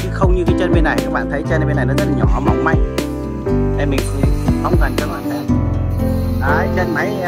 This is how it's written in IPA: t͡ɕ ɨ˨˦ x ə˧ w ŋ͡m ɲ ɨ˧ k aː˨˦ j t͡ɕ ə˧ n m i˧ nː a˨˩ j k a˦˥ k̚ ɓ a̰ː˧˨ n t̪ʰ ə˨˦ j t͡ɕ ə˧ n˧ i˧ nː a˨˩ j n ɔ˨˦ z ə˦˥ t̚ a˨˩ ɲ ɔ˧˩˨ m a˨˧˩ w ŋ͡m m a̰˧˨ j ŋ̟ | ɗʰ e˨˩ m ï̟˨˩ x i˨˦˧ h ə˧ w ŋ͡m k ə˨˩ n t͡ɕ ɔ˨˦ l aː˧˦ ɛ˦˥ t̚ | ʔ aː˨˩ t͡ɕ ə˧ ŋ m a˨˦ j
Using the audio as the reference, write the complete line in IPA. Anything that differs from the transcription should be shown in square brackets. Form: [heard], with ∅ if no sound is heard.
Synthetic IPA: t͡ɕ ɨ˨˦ x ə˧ w ŋ͡m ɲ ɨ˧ k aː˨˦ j t͡ɕ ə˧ n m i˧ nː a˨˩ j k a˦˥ k̚ ɓ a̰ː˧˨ n t̪ʰ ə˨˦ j t͡ɕ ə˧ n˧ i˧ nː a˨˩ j n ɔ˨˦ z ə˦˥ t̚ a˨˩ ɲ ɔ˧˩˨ m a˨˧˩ w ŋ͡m m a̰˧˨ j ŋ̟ | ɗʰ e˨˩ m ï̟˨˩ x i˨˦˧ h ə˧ w ŋ͡m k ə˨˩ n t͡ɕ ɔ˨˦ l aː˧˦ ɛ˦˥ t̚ | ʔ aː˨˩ t͡ɕ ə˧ [n] m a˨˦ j